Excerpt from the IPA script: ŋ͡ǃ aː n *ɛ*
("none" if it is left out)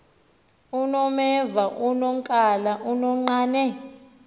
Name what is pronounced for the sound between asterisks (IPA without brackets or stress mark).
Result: ɛ